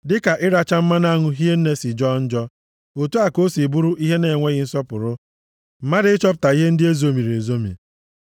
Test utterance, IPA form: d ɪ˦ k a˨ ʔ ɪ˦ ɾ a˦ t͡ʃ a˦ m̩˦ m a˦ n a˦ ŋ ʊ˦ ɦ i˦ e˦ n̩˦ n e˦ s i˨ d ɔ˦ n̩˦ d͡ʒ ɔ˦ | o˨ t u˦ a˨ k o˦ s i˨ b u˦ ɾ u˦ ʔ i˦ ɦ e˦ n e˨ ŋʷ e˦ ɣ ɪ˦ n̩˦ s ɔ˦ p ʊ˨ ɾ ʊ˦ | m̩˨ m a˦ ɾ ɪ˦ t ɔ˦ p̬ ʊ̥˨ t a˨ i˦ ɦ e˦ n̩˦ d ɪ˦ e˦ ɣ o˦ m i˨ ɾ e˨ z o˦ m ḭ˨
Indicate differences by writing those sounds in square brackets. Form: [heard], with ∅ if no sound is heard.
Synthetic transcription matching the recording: d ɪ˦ k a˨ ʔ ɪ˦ ɾ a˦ t͡ʃ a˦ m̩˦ m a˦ n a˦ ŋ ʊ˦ ɦ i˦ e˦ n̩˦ n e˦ s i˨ [d͡ʒ] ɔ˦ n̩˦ d͡ʒ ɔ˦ | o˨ t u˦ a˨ k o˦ s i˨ b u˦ ɾ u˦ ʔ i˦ ɦ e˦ n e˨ ŋʷ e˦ ɣ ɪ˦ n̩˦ s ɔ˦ p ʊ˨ ɾ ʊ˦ | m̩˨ m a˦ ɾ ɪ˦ [t͡ʃ] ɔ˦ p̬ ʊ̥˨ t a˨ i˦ ɦ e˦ n̩˦ d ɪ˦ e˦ [z] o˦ m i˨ ɾ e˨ z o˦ m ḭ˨